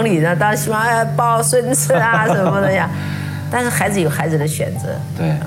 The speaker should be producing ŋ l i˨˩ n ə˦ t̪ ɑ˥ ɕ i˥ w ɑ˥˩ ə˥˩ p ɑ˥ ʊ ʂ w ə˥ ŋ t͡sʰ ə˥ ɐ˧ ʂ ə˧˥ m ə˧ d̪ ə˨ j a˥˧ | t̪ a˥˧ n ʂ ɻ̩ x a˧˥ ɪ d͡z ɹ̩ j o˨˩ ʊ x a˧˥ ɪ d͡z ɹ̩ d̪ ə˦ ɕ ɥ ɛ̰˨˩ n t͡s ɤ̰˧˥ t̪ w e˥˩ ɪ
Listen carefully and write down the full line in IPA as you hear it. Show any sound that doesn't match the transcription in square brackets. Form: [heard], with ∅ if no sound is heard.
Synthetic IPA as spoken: ŋ l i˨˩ n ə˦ t̪ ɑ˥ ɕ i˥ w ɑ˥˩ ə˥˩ p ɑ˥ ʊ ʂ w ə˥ [n] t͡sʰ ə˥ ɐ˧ ʂ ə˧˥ m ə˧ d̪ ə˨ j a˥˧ | t̪ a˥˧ n ʂ ɻ̩ x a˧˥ ɪ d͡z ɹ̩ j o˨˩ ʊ x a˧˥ ɪ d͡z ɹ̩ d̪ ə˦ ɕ ɥ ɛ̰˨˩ n t͡s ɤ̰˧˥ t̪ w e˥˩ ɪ